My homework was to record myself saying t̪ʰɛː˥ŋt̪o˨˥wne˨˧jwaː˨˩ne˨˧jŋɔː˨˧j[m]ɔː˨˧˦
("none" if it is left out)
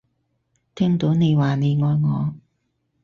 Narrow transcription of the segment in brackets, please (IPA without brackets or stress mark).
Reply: ŋ